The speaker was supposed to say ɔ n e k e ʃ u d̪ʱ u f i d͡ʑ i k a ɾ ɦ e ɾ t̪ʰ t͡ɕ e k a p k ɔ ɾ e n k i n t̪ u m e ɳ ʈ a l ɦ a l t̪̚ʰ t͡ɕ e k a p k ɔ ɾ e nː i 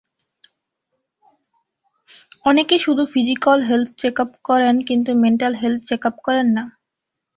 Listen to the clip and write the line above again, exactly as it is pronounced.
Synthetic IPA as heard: ɔ n e k e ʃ u d̪ʱ u f i d͡ʑ i k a l ɦ e l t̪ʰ t͡ɕ e k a p k ɔ ɾ e n k i n t̪ u m e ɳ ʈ a l ɦ e l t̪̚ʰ t͡ɕ e k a p k ɔ ɾ e nː a